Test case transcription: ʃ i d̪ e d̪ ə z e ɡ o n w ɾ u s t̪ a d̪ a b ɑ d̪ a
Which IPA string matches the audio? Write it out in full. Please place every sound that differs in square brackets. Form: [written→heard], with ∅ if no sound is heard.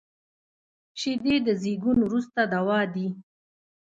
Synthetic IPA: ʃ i d̪ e d̪ ə z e ɡ [o→u] n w ɾ u s t̪ a d̪ a [b→w] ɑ d̪ [a→i]